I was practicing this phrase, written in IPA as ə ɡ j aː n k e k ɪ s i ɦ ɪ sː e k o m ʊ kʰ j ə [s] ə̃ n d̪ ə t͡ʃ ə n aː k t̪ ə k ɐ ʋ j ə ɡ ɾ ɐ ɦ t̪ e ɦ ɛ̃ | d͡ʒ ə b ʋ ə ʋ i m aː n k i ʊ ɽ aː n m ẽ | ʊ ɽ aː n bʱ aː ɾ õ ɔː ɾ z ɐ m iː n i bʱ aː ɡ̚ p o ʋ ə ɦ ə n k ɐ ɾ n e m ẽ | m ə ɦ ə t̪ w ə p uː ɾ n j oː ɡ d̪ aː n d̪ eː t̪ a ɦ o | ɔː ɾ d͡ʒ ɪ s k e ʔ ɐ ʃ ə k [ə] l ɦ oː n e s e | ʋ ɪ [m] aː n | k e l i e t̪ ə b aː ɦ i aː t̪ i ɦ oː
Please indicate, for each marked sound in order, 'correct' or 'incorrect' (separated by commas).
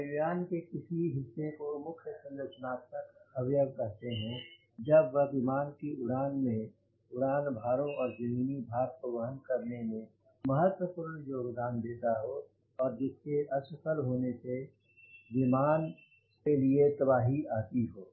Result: correct, correct, correct